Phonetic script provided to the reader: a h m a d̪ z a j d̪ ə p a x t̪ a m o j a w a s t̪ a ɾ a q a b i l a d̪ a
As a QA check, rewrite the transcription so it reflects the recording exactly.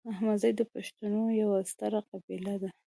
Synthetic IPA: a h m a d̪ z a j d̪ ə p a ʃ t̪ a n o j a w a s t̪ a ɾ a q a b i l a d̪ a